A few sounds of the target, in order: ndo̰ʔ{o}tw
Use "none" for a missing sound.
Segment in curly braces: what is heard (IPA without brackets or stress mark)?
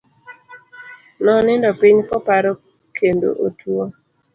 o